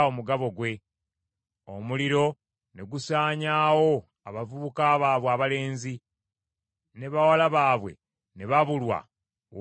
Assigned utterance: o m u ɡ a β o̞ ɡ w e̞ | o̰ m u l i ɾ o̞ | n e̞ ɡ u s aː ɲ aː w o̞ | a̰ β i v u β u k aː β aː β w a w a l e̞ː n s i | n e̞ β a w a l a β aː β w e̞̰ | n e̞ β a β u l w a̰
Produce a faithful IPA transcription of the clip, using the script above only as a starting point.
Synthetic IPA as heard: o m u ɡ a β o̞ ɡ w e̞ | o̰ m u l i ɾ o̞ | n e̞ ɡ u s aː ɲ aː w o̞ | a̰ β a v u β u k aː β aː β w a β a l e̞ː n z i | n e̞ β a w a l a β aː β w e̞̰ | n e̞ β a β u l w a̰